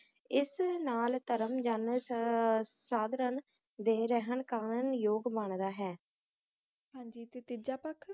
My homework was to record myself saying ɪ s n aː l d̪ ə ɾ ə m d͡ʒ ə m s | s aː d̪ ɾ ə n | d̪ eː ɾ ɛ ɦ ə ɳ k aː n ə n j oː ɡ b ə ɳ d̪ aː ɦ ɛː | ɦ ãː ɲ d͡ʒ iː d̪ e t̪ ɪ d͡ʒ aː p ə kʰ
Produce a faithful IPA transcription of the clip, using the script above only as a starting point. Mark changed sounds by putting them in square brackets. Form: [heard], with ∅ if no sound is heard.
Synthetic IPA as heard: ɪ s n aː l [t̪] ə ɾ ə m d͡ʒ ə [n] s | s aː d̪ ɾ ə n | d̪ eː ɾ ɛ ɦ ə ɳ k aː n ə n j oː ɡ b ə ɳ d̪ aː ɦ ɛː | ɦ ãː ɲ d͡ʒ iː [t̪] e t̪ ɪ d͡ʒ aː p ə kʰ